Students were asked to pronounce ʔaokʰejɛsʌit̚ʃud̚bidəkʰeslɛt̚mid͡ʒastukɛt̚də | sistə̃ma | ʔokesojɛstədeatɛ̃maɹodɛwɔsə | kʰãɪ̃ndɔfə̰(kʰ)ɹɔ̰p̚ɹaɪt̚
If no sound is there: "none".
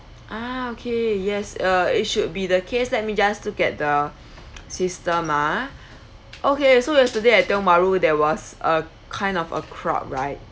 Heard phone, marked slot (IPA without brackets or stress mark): kʰ